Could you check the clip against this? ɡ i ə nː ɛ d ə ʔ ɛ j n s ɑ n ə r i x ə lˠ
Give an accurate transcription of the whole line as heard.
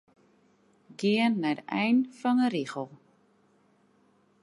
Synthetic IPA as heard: ɡ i ə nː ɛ d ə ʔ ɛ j n f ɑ n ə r i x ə lˠ